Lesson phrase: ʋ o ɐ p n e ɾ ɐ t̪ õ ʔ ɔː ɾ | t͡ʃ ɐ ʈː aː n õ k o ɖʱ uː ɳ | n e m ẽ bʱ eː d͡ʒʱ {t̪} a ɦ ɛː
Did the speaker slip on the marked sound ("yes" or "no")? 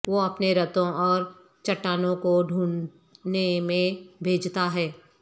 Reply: no